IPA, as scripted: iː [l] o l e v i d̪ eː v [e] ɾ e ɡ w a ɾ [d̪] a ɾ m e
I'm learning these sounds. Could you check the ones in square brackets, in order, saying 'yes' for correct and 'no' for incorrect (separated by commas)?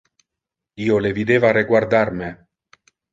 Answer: no, no, yes